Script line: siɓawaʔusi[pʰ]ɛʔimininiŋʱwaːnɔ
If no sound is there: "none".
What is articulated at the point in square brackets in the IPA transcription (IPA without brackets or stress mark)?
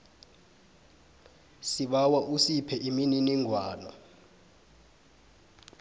pʰ